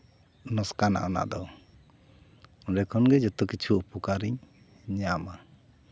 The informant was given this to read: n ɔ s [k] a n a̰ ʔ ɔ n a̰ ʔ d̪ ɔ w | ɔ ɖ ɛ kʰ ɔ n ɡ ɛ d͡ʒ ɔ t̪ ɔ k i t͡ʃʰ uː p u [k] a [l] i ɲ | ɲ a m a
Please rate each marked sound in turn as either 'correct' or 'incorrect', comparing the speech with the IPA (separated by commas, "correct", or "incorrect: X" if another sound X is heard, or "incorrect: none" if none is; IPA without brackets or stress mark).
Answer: correct, correct, incorrect: ɾ